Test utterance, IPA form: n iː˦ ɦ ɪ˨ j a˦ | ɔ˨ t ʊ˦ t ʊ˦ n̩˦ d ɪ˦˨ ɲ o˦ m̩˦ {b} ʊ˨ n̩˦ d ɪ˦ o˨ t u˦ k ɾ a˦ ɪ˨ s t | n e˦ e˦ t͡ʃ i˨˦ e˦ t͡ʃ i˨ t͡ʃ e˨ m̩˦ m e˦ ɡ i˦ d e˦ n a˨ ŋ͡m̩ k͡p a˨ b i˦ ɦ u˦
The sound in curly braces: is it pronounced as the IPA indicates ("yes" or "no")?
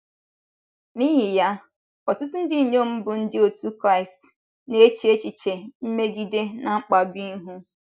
yes